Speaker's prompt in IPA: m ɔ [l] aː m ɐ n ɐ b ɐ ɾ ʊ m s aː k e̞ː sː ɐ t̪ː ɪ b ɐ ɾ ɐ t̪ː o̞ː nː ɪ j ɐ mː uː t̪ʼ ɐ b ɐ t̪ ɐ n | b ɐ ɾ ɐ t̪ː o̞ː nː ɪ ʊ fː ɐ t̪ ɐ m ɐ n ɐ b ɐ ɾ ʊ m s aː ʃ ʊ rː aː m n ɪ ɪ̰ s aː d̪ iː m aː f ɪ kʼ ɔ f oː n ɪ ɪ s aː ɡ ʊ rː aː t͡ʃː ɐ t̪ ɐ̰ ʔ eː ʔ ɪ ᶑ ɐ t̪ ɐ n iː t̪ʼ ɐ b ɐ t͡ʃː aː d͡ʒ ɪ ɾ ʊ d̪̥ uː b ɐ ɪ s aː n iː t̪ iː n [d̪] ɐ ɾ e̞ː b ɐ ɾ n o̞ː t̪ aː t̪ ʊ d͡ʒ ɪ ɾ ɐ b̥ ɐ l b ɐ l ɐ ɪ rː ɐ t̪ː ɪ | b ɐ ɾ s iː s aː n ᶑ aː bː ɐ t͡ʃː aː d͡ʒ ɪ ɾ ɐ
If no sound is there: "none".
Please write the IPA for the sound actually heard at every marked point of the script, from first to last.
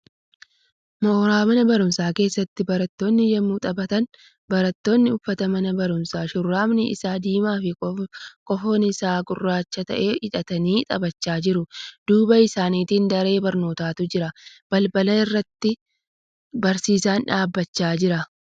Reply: ɾ, d̪

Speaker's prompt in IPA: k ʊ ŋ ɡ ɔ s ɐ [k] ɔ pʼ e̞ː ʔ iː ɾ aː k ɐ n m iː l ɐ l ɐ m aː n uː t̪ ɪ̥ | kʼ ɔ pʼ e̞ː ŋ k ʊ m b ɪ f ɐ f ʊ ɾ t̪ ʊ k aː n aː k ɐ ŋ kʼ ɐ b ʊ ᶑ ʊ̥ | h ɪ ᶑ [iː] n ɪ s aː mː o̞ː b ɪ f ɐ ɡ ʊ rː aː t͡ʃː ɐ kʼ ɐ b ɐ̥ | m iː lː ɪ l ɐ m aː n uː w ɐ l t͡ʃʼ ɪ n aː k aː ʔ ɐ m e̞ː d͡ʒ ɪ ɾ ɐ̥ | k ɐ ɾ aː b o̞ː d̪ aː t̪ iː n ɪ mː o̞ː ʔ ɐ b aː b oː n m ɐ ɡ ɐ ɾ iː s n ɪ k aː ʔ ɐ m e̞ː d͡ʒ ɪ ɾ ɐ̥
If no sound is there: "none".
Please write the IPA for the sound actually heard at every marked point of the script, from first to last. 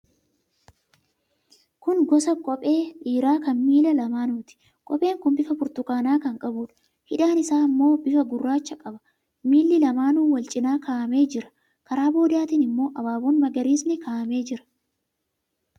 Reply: kʼ, aː

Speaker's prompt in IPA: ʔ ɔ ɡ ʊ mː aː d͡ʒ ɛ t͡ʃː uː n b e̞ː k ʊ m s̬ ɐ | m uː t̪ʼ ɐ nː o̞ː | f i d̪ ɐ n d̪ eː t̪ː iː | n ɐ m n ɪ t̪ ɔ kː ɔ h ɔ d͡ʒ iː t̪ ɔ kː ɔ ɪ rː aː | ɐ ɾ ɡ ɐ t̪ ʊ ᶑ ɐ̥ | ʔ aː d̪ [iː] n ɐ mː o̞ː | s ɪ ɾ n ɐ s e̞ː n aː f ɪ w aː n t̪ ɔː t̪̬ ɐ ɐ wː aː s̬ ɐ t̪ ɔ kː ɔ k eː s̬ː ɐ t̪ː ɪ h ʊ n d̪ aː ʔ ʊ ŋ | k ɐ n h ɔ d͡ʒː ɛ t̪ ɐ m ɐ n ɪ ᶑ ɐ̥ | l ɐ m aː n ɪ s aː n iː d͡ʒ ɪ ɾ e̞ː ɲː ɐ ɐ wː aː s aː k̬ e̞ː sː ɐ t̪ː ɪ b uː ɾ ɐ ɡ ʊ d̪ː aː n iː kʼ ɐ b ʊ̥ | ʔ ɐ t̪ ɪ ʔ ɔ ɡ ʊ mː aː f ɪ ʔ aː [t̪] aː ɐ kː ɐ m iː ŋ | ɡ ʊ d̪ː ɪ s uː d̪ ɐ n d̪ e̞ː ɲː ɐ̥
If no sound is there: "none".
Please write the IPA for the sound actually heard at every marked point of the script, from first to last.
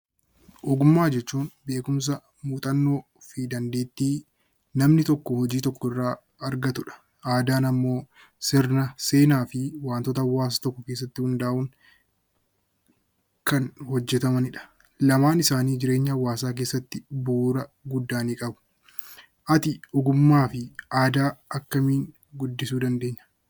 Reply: aː, d̪

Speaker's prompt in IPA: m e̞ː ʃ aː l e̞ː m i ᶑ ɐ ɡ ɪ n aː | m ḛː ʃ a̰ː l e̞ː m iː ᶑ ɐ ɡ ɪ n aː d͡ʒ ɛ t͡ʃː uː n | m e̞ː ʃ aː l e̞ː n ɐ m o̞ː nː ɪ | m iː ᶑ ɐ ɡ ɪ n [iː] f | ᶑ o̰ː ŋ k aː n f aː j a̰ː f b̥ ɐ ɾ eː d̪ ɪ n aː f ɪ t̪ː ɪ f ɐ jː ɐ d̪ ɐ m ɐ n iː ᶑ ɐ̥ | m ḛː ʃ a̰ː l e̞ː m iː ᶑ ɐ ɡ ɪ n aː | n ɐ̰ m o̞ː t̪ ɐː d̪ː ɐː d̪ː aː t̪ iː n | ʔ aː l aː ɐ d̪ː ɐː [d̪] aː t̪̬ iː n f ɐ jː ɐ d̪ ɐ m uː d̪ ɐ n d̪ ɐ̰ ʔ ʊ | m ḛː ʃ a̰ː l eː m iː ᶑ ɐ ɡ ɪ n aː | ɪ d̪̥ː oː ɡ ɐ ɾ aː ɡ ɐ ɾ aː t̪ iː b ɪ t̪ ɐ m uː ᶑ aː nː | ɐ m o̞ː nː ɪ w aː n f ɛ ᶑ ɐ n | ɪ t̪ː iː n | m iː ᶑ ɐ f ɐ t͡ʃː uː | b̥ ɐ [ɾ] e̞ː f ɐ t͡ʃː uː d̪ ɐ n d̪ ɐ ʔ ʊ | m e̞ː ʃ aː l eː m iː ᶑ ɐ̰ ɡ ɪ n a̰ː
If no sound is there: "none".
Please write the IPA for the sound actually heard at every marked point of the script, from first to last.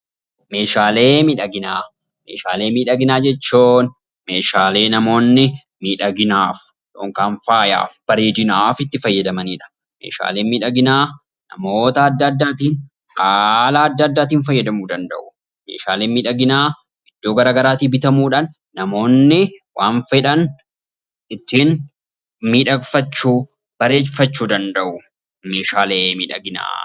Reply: aː, d̪ː, ɾ

